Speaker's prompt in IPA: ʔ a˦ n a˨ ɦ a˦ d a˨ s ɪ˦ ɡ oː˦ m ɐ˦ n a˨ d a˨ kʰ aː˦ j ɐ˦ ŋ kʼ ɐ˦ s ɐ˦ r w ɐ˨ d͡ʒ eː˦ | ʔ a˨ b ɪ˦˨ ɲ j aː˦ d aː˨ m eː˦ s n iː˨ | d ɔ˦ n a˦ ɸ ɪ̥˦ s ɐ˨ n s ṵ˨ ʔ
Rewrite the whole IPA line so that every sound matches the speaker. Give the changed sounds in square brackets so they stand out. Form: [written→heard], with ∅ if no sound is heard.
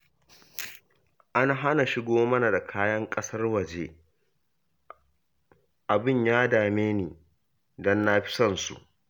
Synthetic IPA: ʔ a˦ n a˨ ɦ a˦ [d→n] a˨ [s→ʃ] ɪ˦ ɡ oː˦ m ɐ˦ n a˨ d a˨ kʰ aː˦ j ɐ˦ ŋ kʼ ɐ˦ s ɐ˦ r w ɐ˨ d͡ʒ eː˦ | ʔ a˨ b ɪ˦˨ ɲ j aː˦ d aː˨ m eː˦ [s→∅] n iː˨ | d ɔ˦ [n→nː] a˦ ɸ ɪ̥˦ s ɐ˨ n s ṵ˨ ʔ